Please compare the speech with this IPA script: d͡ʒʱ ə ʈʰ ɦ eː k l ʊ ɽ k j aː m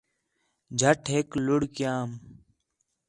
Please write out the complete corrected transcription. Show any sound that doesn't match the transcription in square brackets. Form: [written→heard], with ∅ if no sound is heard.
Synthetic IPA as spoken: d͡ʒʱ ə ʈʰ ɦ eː k l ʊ ɽ k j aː m